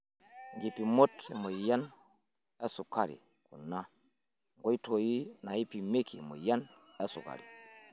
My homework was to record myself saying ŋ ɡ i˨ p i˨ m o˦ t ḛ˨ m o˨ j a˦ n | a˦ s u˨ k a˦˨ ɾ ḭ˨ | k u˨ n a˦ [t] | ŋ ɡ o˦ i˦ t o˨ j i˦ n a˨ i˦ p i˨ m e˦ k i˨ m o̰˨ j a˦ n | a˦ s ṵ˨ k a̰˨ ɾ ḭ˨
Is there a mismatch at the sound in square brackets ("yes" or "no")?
yes